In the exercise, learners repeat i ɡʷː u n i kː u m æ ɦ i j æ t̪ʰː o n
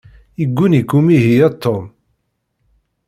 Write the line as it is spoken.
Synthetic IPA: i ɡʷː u n i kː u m i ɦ i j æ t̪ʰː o m